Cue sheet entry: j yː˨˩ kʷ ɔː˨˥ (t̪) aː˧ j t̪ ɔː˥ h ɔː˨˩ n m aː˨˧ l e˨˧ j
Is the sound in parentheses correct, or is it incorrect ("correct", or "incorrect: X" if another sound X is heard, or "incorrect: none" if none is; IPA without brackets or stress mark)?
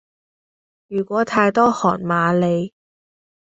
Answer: incorrect: t̪ʰ